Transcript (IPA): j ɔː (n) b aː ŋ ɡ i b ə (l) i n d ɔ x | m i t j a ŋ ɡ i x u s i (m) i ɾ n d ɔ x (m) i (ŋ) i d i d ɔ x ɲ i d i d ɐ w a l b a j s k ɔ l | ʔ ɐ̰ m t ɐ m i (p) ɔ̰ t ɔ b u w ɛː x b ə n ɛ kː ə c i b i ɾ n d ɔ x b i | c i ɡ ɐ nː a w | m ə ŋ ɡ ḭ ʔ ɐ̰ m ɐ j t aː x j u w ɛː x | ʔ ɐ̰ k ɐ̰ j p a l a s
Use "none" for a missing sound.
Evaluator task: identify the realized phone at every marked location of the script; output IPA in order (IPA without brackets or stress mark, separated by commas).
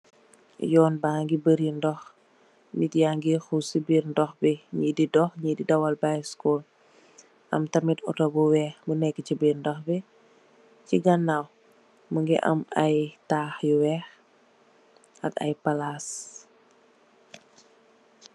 n, ɾ, b, b, ɲ, t